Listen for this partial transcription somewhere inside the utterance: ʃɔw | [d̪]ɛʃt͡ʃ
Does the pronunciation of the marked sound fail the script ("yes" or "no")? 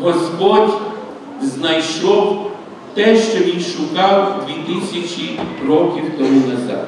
yes